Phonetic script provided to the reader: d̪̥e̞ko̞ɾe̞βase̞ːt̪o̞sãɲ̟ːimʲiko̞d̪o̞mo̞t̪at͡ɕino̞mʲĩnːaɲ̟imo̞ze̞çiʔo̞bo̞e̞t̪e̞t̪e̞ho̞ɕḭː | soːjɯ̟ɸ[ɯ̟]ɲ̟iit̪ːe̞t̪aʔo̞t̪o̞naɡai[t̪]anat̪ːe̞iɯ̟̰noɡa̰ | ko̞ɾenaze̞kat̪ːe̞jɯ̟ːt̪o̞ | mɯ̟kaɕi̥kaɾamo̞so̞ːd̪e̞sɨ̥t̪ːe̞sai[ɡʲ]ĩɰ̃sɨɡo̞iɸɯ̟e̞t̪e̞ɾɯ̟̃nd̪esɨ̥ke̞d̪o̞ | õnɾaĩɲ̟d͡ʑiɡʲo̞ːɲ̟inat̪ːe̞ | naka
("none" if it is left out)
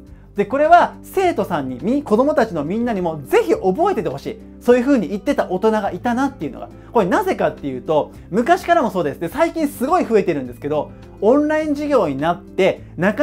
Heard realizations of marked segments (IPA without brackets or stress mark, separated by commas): ɯ̟ː, t̪, kʲ